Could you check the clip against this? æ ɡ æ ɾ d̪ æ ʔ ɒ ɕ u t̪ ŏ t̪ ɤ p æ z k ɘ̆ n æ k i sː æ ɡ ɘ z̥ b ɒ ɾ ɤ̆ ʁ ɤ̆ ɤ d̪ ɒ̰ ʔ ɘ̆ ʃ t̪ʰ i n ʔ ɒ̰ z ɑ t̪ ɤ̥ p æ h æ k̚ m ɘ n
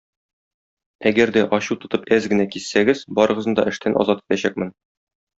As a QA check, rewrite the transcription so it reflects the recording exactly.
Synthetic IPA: æ ɡ æ ɾ d̪ æ ʔ ɒ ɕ u t̪ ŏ t̪ ɤ p æ z ɡ ɘ̆ n æ k i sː æ ɡ ɘ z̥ b ɒ ɾ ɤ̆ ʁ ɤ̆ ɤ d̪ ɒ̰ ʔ ɘ̆ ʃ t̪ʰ æ n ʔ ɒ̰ z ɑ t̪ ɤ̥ p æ ɕ æ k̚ m ɘ n